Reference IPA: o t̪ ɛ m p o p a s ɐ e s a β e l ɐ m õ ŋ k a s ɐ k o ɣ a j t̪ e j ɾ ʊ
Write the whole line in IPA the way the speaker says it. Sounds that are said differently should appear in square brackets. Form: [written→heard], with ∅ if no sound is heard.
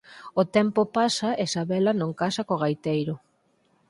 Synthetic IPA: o t̪ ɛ m p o p a s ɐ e s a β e l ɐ [m→n] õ ŋ k a s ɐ k o ɣ a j t̪ e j ɾ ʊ

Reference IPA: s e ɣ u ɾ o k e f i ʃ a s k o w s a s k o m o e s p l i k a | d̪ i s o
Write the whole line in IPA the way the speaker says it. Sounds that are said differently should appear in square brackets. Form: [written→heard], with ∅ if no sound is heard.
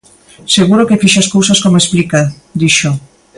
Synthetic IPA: s e ɣ u ɾ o k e f i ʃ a s k o w s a s k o m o e s p l i k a | d̪ i [s→ʃ] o

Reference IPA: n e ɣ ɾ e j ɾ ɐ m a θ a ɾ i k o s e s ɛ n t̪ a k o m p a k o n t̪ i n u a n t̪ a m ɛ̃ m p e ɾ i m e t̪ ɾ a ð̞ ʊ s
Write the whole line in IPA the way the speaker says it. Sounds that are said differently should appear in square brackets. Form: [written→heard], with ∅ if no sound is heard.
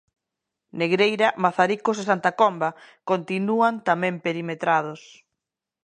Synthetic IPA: n e ɣ ɾ e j ɾ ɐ m a θ a ɾ i k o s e s [ɛ→a] n t̪ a k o m [p→b] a k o n t̪ i n u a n t̪ a m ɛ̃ m p e ɾ i m e t̪ ɾ a ð̞ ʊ s

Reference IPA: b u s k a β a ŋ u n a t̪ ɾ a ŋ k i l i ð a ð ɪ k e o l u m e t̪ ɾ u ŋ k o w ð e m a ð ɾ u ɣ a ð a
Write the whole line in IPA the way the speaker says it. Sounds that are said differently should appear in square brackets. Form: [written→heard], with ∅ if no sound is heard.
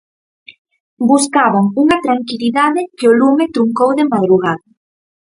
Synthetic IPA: b u s k a β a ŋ u [n→ŋ] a t̪ ɾ a ŋ k i l i ð a ð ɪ k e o l u m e t̪ ɾ u ŋ k o w ð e m a ð ɾ u ɣ a ð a

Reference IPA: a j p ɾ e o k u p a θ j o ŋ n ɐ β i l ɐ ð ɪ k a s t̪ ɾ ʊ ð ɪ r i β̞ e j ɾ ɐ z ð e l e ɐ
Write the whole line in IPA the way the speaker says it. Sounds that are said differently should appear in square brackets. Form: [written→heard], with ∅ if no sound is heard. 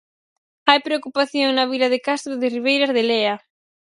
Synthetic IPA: a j p ɾ e o k u p a θ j o ŋ n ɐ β i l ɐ ð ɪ k a s t̪ ɾ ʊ ð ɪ r i β̞ e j ɾ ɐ z ð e l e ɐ

